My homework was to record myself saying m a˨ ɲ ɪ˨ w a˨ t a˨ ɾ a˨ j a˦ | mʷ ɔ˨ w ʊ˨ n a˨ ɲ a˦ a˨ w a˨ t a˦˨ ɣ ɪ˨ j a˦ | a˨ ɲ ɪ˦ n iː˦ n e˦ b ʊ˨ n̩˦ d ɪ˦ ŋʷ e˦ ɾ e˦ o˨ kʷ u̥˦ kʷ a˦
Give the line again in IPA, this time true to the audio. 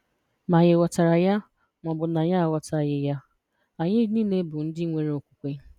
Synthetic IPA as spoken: m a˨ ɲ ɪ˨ w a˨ t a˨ ɾ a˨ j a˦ | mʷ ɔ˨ b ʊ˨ n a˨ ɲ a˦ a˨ w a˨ t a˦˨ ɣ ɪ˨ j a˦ | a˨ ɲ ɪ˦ n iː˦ n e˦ b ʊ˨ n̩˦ d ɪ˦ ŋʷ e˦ ɾ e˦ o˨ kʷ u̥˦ kʷ e˦